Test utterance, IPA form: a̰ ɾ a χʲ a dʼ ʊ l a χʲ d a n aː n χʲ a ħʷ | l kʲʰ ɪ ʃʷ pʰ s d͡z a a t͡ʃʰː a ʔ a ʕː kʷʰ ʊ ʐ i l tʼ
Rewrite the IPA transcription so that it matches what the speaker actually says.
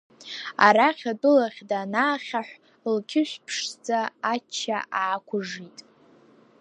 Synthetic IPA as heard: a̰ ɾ a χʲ a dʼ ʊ l a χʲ d a n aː χʲ a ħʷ | l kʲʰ ɪ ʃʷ pʰ ʂ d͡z a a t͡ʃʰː a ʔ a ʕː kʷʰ ʊ ʐ i tʼ